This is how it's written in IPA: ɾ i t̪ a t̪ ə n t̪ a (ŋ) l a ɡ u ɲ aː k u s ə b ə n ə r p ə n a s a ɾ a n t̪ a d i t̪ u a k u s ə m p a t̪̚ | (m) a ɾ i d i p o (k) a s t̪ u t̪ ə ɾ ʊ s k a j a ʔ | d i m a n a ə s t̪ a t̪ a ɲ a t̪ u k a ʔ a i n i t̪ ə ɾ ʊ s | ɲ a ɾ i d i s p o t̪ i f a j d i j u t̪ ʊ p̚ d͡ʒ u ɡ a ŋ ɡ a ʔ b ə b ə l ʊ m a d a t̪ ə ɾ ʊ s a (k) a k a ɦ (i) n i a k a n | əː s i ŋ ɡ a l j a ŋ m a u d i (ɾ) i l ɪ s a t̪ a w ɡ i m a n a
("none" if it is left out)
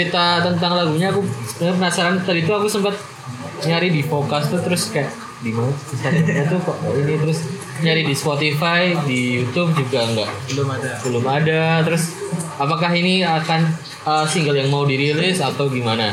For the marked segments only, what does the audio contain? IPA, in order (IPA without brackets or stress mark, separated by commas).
ŋ, ɲ, k, p, i, ɾ